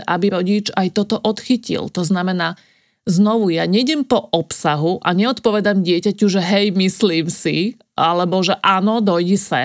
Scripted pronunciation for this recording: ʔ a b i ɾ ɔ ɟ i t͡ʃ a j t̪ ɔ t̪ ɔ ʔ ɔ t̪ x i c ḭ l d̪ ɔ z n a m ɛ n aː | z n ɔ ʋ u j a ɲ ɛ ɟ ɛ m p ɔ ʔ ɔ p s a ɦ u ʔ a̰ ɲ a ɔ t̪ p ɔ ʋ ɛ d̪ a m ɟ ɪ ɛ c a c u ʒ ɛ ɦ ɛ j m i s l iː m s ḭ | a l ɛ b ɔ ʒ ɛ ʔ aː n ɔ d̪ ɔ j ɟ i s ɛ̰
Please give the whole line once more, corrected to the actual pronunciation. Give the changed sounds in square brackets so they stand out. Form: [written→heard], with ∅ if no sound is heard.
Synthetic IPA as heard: ʔ a b i ɾ ɔ ɟ i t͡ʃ a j t̪ ɔ t̪ ɔ ʔ ɔ t̪ x i c ḭ l [d̪→t̪] ɔ z n a m ɛ n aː | z n ɔ ʋ u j a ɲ ɛ ɟ ɛ m p ɔ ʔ ɔ p s a ɦ u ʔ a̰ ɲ [a→ɛ] ɔ t̪ p ɔ ʋ ɛ d̪ a m ɟ ɪ ɛ c a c u ʒ ɛ ɦ ɛ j m i s l iː m s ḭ | a l ɛ b ɔ ʒ ɛ ʔ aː n ɔ d̪ ɔ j ɟ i s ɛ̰